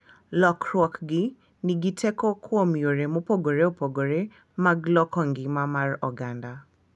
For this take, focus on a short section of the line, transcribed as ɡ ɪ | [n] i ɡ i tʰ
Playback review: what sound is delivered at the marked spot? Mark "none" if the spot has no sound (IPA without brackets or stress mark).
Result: n